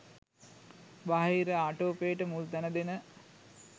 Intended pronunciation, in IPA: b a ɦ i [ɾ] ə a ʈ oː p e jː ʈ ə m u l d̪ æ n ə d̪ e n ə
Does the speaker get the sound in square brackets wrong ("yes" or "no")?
no